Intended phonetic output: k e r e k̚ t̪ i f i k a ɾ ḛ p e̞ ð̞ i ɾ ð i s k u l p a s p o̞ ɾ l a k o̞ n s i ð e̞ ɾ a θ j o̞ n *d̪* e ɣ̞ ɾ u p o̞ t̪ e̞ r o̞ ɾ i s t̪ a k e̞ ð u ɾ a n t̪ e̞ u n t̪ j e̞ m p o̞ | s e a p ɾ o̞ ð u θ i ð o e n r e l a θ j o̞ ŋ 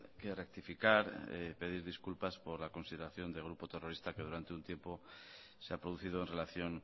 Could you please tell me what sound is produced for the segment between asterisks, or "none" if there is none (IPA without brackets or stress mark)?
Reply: d̪